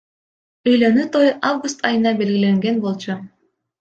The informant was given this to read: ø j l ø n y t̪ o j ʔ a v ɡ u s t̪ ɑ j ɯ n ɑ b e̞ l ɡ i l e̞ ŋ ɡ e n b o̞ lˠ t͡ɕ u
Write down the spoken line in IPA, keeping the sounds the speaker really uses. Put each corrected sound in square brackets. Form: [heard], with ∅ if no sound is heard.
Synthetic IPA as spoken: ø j l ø n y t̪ o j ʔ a v ɡ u s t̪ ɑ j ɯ n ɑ b e̞ l ɡ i l e̞ ŋ ɡ e n b o̞ lˠ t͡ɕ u